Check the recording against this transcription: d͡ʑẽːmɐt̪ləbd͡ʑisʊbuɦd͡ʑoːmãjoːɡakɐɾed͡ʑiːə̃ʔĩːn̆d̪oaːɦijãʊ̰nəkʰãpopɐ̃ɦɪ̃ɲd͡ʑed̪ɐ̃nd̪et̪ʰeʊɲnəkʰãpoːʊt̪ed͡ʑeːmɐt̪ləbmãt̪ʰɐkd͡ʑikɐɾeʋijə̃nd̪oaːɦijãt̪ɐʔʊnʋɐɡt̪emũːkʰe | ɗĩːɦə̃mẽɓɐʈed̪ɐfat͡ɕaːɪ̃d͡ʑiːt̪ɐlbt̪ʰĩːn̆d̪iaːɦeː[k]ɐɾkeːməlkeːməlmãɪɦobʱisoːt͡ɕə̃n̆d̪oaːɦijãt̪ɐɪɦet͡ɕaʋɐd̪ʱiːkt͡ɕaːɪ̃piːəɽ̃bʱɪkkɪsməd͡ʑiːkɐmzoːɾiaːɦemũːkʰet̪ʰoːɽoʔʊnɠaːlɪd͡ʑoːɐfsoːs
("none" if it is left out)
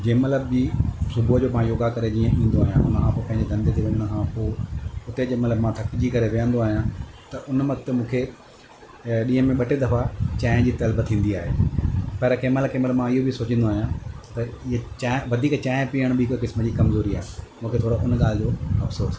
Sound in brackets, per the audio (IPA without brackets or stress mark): p